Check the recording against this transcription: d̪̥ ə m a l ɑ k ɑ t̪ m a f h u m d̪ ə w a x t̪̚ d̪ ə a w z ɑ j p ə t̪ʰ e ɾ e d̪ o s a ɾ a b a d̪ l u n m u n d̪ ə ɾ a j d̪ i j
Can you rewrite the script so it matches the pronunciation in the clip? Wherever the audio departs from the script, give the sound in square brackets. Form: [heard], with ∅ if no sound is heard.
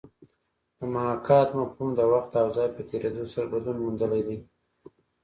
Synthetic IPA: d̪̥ ə m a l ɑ k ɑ t̪ m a f h u m d̪ ə w a x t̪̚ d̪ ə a w z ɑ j p ə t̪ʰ e ɾ e d̪ o s a ɾ a b a d̪ l u n m u n d̪ ə [l] a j d̪ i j